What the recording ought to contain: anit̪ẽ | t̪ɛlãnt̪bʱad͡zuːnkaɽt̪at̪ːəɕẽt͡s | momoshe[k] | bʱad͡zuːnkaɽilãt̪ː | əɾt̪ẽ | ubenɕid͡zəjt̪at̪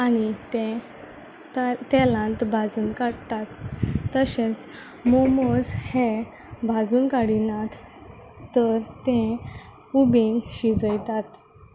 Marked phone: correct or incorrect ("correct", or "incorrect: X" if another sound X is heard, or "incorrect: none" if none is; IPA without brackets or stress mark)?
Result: incorrect: none